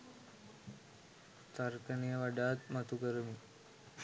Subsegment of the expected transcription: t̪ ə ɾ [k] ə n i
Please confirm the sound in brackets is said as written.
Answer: yes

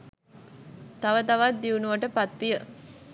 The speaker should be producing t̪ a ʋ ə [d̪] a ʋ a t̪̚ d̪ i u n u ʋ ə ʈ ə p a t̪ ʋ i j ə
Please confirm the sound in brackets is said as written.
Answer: no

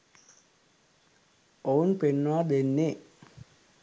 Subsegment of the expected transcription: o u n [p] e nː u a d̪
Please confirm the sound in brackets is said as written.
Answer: yes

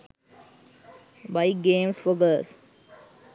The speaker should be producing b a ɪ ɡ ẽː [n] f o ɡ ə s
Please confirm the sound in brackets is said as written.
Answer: no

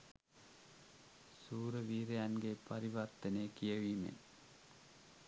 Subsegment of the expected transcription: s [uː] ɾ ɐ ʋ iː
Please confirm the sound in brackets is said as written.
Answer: yes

